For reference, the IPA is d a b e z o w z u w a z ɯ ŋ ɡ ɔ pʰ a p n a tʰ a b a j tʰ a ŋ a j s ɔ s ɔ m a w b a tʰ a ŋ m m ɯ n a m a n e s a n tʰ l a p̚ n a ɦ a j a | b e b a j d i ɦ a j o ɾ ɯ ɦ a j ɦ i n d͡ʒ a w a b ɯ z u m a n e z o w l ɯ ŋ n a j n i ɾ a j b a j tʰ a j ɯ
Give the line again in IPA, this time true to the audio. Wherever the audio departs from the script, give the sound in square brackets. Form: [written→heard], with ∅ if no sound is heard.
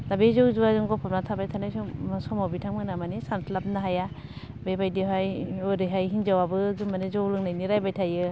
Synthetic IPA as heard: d a b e z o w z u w a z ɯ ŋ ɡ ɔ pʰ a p n a tʰ a b a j tʰ a [ŋ→n] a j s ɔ s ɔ m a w b [a→i] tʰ a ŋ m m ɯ n a m a n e s a n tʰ l a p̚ n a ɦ a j a | b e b a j d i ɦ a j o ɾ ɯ ɦ a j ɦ i n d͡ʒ a w a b ɯ z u m a n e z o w l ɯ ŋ n a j n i ɾ a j b a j tʰ a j ɯ